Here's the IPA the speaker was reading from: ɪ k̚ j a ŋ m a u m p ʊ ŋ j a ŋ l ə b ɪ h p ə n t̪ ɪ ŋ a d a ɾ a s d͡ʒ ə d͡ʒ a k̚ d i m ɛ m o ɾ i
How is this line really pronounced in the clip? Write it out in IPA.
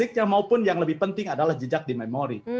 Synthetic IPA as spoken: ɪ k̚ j a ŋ m a u p ʊ n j a ŋ l ə b ɪ h p ə n t̪ ɪ ŋ a d a l a h d͡ʒ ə d͡ʒ a k̚ d i m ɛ m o ɾ i